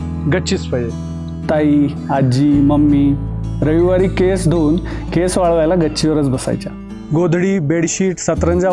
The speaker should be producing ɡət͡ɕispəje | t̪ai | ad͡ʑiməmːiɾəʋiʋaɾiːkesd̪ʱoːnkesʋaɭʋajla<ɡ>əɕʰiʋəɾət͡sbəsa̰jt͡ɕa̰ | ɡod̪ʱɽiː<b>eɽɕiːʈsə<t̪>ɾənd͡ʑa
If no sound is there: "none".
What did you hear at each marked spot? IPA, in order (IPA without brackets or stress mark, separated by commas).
ɡ, b, t̪